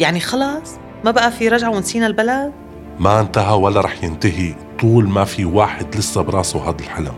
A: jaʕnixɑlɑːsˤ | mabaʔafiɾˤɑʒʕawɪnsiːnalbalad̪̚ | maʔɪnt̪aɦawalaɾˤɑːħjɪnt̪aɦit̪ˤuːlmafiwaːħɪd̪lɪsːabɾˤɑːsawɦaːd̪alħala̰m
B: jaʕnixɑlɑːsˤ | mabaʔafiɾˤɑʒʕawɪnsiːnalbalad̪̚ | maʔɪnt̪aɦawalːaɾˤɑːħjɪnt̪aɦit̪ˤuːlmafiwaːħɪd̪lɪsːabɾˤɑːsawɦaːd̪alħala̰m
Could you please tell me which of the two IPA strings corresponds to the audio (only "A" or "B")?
B